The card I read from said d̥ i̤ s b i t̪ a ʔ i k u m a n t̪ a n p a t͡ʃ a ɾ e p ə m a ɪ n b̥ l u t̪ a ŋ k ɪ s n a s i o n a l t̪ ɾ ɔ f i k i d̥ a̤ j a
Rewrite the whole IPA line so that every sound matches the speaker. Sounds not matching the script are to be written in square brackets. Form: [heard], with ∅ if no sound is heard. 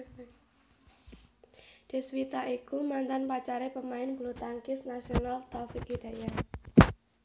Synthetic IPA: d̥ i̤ s [w] i t̪ a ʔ i k u m a n t̪ a n p a t͡ʃ a ɾ e p ə m a ɪ n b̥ l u t̪ a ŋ k ɪ s n a s i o n a l t̪ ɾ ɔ f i k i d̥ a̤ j a

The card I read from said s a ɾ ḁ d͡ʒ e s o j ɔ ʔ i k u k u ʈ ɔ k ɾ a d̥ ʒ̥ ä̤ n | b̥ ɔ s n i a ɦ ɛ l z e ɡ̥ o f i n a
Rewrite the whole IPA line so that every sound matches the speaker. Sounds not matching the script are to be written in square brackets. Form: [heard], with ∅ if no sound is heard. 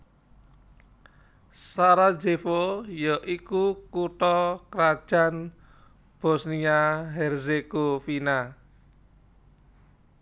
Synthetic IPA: s a ɾ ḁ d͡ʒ e [f] o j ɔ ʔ i k u k u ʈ ɔ k ɾ a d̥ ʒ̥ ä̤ n | b̥ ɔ s n i a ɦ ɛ [r] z e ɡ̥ o f i n a

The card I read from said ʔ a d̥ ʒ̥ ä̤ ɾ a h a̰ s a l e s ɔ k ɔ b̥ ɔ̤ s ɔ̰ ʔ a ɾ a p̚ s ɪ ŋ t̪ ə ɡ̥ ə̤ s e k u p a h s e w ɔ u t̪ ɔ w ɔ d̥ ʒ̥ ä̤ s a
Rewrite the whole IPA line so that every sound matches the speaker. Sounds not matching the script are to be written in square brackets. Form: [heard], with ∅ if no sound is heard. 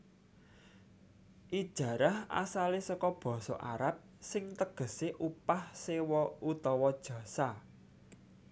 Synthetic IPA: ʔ [i] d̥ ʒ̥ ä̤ ɾ a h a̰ s a l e s ɔ k ɔ b̥ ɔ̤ s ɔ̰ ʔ a ɾ a p̚ s ɪ ŋ t̪ ə ɡ̥ ə̤ s e [ʔ] u p a h s e w ɔ u t̪ ɔ w ɔ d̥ ʒ̥ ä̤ s a

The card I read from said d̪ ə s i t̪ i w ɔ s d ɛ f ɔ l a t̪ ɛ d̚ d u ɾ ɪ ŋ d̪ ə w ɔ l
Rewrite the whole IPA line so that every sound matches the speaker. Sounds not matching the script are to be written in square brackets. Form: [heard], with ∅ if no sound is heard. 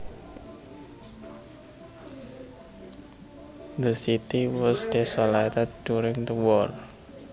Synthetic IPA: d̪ ə s i t̪ i w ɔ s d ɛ [s] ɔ l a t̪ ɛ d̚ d u ɾ ɪ ŋ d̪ ə w ɔ l

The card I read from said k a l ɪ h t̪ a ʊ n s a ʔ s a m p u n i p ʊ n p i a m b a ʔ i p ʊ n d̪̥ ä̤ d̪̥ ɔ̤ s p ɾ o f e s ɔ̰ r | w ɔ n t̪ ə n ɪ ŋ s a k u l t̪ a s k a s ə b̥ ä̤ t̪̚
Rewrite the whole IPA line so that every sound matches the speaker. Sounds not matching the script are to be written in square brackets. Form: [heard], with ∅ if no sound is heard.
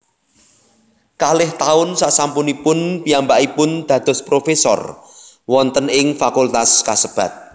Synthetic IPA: k a l ɪ h t̪ a ʊ n s a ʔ s a m p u n i p ʊ n p i a m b a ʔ i p ʊ n d̪̥ ä̤ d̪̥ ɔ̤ s p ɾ o f e s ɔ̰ r | w ɔ n t̪ ə n ɪ ŋ [f] a k u l t̪ a s k a s ə b̥ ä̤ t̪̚

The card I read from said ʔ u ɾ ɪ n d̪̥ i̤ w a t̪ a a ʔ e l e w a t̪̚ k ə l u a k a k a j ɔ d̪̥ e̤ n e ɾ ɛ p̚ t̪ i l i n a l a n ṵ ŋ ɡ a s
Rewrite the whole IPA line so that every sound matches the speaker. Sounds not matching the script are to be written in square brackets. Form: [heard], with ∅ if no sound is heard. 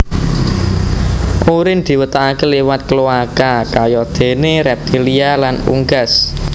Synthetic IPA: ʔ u ɾ ɪ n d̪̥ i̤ w [ə] t̪ a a [k] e l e w a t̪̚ k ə l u a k a k a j ɔ d̪̥ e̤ n e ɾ ɛ p̚ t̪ i l i [∅] a l a n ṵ ŋ ɡ a s

